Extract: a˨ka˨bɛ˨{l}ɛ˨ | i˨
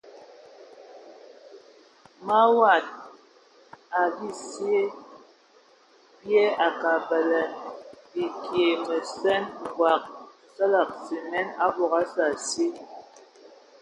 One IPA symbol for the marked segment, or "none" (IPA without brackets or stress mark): l